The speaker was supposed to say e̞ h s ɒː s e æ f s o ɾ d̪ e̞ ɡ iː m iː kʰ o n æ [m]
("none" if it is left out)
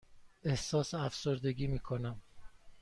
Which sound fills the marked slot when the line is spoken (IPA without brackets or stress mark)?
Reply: m